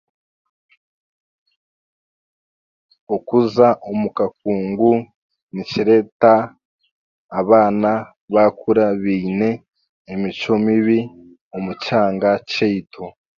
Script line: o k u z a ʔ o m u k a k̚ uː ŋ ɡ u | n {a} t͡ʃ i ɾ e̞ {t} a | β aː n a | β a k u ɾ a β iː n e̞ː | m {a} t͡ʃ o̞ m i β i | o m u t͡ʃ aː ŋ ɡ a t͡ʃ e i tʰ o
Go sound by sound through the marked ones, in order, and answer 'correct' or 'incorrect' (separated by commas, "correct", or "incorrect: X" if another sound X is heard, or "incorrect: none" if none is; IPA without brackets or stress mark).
incorrect: i, correct, incorrect: i